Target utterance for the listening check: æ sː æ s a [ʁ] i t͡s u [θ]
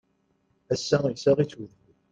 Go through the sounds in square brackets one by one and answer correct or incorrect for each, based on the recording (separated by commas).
correct, incorrect